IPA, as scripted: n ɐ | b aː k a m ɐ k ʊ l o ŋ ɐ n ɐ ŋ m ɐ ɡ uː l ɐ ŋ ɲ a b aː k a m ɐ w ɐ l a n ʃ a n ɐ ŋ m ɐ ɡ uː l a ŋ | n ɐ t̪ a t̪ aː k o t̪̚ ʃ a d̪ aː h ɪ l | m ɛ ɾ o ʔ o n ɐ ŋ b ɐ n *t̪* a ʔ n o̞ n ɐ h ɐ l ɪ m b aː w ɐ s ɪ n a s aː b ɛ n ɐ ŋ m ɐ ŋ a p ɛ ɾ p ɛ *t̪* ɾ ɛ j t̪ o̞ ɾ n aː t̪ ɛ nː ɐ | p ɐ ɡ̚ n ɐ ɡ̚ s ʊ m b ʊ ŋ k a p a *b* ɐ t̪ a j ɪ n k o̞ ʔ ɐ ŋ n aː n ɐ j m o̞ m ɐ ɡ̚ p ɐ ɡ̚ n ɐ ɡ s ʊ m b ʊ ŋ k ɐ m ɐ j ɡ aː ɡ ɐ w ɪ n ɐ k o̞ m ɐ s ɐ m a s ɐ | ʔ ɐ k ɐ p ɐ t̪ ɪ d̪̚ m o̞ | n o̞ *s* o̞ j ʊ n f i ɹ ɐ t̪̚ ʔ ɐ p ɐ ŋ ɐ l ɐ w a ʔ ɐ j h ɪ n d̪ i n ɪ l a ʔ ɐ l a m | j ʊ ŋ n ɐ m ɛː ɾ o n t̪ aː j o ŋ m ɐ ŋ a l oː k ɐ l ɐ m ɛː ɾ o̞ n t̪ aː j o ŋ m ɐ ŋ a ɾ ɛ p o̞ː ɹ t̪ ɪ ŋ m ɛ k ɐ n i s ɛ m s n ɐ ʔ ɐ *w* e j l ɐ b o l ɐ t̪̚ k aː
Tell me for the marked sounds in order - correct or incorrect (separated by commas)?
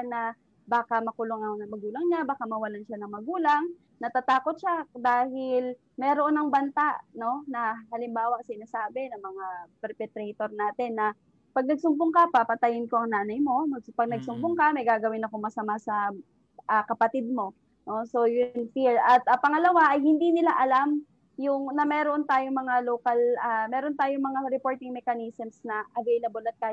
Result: correct, correct, incorrect, correct, incorrect